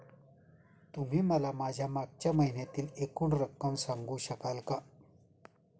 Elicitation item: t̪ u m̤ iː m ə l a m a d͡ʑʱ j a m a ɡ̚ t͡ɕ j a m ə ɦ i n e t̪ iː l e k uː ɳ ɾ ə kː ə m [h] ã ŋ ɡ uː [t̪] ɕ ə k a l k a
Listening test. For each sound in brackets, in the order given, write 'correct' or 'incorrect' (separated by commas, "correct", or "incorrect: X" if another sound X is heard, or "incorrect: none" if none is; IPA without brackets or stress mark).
incorrect: s, incorrect: none